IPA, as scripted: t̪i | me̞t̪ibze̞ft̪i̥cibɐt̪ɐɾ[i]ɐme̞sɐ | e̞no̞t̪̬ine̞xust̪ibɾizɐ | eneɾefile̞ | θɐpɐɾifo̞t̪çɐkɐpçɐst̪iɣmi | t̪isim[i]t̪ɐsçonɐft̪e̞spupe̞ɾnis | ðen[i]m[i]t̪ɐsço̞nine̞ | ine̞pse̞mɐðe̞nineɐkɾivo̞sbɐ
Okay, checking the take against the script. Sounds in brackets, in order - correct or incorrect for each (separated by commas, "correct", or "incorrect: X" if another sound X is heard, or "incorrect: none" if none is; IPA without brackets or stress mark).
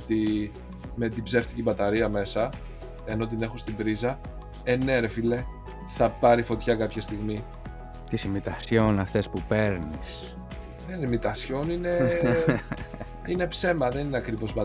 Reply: correct, correct, correct, correct